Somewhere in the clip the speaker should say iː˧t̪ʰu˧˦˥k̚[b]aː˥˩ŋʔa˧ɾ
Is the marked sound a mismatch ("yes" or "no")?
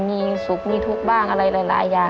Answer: no